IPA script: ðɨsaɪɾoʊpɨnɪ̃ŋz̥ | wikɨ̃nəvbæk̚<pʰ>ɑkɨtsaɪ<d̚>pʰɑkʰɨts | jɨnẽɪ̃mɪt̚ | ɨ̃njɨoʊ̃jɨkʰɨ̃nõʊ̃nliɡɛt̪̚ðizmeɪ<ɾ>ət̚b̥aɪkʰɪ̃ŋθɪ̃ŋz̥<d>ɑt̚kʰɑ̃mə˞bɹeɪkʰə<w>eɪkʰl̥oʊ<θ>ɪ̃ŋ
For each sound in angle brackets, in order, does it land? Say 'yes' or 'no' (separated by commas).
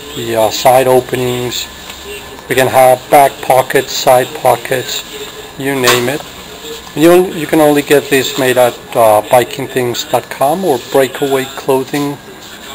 yes, yes, yes, yes, yes, no